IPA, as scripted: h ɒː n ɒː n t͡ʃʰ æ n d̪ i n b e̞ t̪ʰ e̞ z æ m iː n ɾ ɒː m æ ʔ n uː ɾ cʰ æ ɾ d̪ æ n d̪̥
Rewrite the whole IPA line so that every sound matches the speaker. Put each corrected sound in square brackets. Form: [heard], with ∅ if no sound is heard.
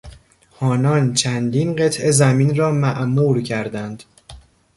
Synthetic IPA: h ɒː n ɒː n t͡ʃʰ æ n d̪ i n [ɢ] e̞ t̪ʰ e̞ z æ m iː n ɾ ɒː m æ ʔ n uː ɾ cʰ æ ɾ d̪ æ n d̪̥